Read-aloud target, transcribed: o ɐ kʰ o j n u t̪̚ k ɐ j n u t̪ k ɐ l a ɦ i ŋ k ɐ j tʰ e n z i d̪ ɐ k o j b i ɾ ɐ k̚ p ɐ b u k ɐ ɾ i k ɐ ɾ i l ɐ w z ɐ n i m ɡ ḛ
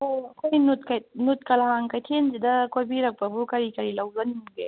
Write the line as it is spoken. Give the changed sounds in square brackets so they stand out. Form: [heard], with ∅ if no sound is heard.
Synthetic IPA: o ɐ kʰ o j n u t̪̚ k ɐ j n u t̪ k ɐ l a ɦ [a] ŋ k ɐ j tʰ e n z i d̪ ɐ k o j b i ɾ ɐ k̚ p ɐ b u k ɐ ɾ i k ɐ ɾ i l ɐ w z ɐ n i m ɡ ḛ